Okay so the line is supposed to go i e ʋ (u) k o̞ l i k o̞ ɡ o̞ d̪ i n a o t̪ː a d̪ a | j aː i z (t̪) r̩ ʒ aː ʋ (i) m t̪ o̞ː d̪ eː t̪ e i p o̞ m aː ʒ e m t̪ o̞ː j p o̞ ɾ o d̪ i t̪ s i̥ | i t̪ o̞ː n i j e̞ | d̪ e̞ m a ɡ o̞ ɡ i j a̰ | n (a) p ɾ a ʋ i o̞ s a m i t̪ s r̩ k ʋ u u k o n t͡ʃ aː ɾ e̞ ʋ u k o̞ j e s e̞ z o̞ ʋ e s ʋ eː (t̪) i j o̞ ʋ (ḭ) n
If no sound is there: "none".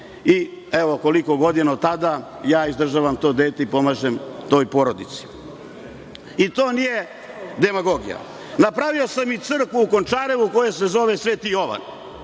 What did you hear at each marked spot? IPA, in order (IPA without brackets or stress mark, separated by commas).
o, d̪, a, a, t̪, a̰